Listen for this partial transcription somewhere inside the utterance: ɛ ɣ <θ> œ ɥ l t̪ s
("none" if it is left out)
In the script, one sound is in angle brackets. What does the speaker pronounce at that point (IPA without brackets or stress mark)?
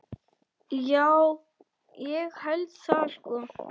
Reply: h